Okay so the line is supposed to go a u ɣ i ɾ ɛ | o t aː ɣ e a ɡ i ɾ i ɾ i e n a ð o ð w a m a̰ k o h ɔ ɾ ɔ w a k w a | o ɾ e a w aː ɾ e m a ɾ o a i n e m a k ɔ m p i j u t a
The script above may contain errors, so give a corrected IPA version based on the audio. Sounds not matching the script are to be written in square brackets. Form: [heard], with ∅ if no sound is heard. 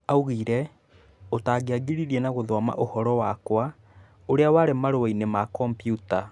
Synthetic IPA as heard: a u ɣ i ɾ ɛ | o t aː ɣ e a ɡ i ɾ i ɾ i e n a [ɣ] o ð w a m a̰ [ʔ] o h ɔ ɾ ɔ w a k w a | o ɾ e a w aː ɾ e m a ɾ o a i n e m a k ɔ m p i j u t a